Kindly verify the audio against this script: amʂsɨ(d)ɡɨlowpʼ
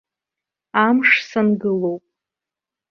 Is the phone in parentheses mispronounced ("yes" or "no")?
yes